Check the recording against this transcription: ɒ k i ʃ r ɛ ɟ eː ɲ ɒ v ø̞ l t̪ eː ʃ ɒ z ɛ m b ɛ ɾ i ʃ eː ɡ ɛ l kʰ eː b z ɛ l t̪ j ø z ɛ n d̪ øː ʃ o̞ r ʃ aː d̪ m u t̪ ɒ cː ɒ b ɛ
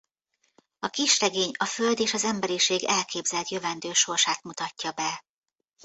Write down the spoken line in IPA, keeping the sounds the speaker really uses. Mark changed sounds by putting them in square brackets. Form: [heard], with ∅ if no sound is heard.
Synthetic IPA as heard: ɒ k i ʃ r ɛ [ɡ] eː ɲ ɒ [f] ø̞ l [d̪] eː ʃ ɒ z ɛ m b ɛ ɾ i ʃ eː ɡ ɛ l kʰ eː b z ɛ l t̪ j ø [v] ɛ n d̪ øː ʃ o̞ r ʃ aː [t̪] m u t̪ ɒ cː ɒ b ɛ